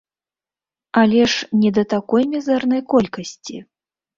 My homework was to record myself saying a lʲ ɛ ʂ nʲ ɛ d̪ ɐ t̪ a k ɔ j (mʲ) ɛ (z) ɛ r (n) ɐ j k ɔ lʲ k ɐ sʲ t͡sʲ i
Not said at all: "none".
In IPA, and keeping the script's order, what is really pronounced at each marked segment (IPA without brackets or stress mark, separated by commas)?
mʲ, z, n